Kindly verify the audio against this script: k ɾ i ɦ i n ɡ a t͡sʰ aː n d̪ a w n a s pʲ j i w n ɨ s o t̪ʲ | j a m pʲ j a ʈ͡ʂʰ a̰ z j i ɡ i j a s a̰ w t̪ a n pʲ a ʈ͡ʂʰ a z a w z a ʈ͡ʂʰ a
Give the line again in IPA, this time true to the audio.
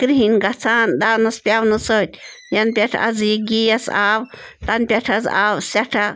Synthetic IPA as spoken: k ɾ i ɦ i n ɡ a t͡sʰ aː n d̪ a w n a s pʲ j a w n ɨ s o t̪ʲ | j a n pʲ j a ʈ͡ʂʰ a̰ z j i ɡ i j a s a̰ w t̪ a n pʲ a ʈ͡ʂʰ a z a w s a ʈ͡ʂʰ a